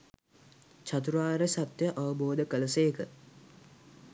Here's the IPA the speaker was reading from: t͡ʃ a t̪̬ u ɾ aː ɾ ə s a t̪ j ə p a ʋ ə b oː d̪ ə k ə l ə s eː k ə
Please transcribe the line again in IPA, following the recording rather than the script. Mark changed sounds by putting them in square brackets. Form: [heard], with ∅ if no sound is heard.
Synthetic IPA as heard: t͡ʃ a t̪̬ u ɾ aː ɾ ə s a t̪ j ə [ʔ] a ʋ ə b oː d̪ ə k ə l ə s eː k ə